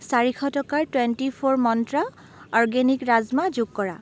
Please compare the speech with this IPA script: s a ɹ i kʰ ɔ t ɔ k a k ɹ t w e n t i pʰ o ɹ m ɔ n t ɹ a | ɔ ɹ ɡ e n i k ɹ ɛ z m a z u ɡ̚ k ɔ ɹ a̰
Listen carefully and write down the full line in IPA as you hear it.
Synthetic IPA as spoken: s a ɹ i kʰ ɔ t ɔ k a ɹ t w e n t i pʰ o ɹ m ɔ n t ɹ a | ɔ ɹ ɡ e n i k ɹ a z m a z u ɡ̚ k ɔ ɹ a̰